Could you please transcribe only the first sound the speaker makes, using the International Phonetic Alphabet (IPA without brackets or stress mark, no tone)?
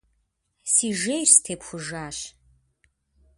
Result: s